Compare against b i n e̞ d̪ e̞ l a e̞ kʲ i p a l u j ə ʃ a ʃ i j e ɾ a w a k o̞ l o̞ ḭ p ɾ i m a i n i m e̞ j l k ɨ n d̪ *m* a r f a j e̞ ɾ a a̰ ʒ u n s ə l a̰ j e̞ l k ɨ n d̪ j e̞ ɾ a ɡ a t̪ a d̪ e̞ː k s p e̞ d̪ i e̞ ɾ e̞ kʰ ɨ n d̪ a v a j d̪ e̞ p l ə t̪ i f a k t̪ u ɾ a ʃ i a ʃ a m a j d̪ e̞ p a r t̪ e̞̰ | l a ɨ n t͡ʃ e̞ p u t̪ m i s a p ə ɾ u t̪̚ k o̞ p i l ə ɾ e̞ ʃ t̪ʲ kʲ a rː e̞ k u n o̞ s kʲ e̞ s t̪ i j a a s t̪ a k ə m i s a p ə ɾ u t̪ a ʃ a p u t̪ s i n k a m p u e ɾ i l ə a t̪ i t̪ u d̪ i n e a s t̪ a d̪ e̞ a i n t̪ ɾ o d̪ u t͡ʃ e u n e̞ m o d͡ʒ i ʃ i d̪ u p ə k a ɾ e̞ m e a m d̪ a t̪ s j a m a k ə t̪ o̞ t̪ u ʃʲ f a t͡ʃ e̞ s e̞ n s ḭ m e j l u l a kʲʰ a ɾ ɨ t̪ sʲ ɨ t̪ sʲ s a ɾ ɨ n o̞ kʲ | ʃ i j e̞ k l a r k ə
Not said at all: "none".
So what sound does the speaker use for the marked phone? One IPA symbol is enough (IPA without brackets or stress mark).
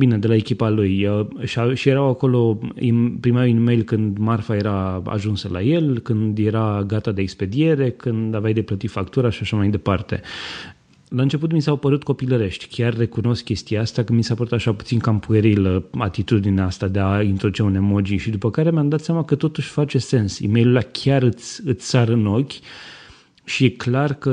m